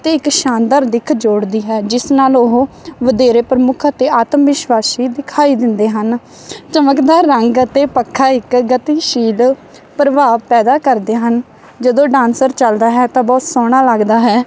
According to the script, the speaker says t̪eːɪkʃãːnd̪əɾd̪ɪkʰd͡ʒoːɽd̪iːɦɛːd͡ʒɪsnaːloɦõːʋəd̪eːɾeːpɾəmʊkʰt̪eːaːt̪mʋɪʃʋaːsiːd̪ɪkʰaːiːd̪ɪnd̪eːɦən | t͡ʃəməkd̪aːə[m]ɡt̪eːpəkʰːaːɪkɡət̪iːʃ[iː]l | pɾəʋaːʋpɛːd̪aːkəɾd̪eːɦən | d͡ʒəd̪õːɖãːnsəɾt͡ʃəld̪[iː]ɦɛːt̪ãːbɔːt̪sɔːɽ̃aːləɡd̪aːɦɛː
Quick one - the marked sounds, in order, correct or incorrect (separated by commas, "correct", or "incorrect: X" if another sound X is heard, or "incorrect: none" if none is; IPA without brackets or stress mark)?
incorrect: ŋ, correct, incorrect: aː